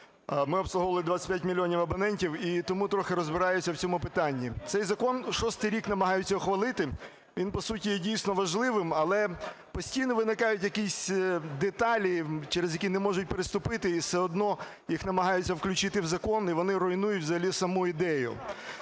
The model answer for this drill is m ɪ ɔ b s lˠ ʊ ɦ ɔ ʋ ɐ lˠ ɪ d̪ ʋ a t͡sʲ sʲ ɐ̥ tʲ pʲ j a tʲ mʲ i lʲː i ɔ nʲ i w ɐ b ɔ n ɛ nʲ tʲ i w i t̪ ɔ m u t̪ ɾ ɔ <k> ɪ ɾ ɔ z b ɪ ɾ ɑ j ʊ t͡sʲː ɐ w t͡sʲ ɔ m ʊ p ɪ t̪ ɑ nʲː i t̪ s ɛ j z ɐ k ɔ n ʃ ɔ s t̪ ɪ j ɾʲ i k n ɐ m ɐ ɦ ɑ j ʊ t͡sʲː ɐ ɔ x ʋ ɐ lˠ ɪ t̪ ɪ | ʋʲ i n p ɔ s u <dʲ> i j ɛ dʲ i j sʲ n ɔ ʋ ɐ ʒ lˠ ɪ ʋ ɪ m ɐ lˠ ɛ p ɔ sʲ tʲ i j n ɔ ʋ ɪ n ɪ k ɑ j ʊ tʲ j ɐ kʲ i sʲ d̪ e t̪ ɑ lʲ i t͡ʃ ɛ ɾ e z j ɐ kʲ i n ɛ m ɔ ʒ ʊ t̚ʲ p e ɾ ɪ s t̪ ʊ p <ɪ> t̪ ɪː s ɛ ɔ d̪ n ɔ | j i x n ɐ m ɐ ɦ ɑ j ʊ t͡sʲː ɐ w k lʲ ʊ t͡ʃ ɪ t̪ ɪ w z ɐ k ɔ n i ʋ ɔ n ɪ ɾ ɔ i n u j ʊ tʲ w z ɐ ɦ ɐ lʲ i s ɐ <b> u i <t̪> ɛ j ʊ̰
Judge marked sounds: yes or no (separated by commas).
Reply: no, no, yes, no, no